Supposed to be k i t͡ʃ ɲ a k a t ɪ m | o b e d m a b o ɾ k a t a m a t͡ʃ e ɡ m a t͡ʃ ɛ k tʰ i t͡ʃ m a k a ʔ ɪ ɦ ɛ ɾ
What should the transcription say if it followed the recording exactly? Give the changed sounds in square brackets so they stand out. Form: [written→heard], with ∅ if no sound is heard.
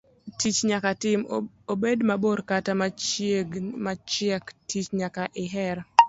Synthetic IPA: [k→t] i t͡ʃ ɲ a k a t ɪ m | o b e d m a b o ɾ k a t a m a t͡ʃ e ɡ m a t͡ʃ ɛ k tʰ i t͡ʃ [m→ɲ] a k a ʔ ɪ ɦ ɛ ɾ